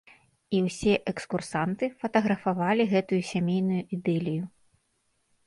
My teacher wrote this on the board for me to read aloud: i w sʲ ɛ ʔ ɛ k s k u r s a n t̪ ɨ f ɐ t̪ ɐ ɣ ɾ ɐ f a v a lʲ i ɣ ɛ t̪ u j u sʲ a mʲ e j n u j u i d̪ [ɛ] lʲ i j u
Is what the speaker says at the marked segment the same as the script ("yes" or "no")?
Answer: yes